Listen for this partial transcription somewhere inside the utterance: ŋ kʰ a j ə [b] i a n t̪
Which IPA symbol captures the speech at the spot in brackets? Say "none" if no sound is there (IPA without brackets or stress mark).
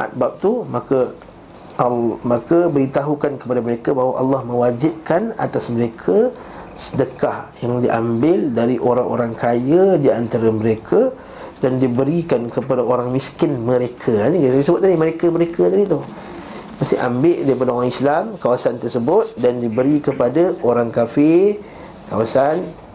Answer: d